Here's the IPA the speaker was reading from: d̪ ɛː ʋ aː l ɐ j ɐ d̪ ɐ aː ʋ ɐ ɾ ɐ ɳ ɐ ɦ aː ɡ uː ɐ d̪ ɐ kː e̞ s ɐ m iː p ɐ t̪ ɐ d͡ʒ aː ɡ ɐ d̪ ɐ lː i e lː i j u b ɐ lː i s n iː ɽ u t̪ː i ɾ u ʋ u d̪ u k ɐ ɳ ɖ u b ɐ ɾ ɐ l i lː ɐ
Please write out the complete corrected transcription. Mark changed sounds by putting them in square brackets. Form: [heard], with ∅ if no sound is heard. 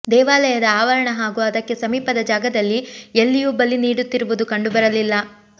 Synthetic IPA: d̪ ɛː ʋ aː l ɐ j ɐ d̪ ɐ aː ʋ ɐ ɾ ɐ ɳ ɐ ɦ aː ɡ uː ɐ d̪ ɐ kː e̞ s ɐ m iː p ɐ [d̪] ɐ d͡ʒ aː ɡ ɐ d̪ ɐ lː i e lː i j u b ɐ lː i [∅] n iː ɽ u t̪ː i ɾ u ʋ u d̪ u k ɐ ɳ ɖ u b ɐ ɾ ɐ l i lː ɐ